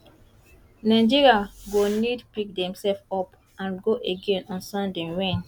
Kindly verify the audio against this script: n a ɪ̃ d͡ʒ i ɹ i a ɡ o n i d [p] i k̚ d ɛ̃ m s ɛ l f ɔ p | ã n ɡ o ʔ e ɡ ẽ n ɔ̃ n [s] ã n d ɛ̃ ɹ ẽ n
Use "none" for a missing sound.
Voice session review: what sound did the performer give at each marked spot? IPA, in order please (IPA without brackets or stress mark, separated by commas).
p, s